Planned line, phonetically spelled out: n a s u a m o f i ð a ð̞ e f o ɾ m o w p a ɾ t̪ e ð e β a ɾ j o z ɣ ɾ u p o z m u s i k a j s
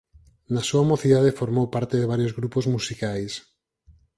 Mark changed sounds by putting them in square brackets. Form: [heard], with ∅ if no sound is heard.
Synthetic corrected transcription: n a s u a m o [θ] i ð a ð̞ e f o ɾ m o w p a ɾ t̪ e ð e β a ɾ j o z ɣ ɾ u p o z m u s i k a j s